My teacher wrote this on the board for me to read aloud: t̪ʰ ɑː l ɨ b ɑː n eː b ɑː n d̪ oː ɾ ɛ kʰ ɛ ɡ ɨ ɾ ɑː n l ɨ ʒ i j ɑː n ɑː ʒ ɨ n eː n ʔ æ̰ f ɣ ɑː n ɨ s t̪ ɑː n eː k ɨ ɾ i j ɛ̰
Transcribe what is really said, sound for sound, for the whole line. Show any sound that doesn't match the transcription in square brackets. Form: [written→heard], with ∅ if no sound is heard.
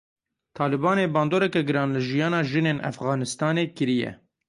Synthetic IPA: t̪ʰ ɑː l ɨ b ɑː n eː b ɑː n d̪ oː ɾ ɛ [kʰ→k] ɛ ɡ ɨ ɾ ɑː n l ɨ ʒ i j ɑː n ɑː ʒ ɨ n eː n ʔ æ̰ f ɣ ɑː n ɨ s t̪ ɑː n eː k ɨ ɾ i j ɛ̰